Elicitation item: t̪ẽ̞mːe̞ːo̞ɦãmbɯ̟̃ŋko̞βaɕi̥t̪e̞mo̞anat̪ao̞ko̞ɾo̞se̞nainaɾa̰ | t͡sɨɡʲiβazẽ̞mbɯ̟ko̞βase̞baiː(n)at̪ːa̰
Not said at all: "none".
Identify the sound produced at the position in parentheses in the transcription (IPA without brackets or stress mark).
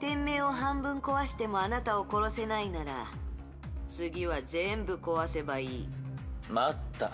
m